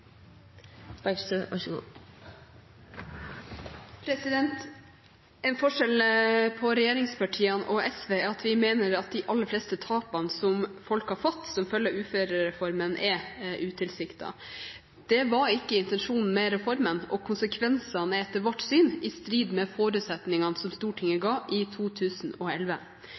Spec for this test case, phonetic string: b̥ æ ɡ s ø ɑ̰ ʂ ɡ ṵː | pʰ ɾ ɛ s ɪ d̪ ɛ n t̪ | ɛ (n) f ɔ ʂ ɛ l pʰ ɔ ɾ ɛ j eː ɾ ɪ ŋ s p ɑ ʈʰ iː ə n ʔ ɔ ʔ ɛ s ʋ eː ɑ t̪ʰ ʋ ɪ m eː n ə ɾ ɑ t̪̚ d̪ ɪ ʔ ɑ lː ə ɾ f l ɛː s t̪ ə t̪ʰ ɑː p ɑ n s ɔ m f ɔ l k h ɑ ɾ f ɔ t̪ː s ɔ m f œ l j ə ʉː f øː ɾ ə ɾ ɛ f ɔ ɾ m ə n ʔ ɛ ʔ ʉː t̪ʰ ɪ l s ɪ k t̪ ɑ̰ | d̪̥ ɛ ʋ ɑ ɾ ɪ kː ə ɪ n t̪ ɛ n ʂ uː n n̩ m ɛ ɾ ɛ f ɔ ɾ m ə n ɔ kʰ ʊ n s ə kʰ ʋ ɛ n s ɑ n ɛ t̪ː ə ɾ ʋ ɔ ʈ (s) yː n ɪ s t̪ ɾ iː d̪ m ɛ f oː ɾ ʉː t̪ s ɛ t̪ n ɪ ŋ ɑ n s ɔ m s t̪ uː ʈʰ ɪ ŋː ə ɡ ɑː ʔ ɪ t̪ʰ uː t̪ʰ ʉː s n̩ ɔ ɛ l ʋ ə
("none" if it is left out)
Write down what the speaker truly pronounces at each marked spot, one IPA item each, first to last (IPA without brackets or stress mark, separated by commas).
n, s